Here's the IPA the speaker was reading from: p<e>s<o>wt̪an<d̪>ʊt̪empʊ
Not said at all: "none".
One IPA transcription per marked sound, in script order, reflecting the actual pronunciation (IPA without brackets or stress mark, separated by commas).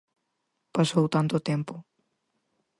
a, o, t̪